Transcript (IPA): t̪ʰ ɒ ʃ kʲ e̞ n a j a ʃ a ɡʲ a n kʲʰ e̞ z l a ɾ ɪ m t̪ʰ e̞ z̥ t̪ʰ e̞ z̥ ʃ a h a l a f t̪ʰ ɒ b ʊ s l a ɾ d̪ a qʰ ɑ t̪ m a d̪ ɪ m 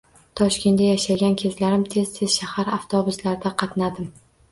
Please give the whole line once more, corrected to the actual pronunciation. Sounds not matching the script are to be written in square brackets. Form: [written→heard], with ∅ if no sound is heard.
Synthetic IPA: t̪ʰ ɒ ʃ kʲ e̞ n a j a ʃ a ɡʲ a n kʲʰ e̞ z l a ɾ ɪ m t̪ʰ e̞ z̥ t̪ʰ e̞ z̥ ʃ a h a [l→ɾ] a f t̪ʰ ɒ b ʊ s l a ɾ d̪ a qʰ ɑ t̪ [m→n] a d̪ ɪ m